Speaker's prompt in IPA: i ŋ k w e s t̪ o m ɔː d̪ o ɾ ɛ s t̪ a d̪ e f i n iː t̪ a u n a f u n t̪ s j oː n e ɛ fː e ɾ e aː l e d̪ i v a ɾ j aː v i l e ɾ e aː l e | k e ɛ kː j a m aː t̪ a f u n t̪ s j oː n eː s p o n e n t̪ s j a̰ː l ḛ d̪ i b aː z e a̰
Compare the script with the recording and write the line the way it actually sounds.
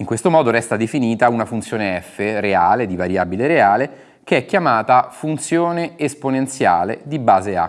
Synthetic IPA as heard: i ŋ k w e s t̪ o m ɔː d̪ o ɾ ɛ s t̪ a d̪ e f i n iː t̪ a u n a f u n t̪ s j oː n e ɛ fː e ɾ e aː l e d̪ i v a ɾ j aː b i l e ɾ e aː l e | k e ɛ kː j a m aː t̪ a f u n t̪ s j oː n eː s p o n e n t̪ s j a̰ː l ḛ d̪ i b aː z e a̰